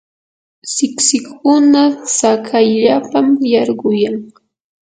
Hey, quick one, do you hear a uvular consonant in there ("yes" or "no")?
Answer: yes